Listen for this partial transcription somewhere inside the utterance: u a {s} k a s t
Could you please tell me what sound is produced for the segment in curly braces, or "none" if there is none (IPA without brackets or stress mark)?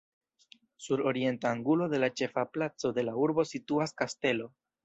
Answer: s